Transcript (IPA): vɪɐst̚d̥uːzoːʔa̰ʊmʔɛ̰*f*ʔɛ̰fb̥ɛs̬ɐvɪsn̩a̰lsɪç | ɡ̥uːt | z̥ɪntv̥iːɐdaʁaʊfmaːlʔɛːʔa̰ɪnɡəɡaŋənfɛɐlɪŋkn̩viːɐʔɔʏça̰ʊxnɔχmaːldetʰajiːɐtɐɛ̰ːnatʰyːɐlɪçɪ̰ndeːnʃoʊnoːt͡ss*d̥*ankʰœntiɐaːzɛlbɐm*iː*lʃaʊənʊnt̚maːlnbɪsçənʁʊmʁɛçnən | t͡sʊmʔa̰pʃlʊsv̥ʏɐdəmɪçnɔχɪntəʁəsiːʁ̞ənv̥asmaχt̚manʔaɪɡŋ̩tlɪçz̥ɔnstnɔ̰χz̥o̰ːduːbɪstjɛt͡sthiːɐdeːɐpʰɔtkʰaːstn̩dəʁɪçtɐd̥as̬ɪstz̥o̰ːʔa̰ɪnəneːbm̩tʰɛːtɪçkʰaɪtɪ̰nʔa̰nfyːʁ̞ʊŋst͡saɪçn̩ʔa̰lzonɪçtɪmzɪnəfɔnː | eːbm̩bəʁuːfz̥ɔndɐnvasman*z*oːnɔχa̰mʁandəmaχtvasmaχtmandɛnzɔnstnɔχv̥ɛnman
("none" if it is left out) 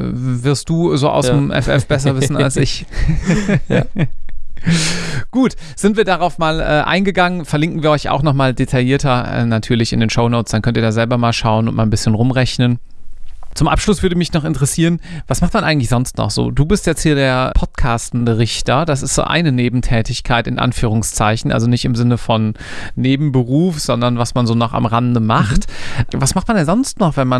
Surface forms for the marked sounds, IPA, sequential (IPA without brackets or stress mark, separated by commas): f, d̥, aː, z